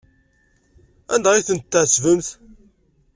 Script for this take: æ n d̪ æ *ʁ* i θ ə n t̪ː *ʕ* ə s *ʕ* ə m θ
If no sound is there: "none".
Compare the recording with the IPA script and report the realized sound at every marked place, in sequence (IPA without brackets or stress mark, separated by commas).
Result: ʁ, ʕ, v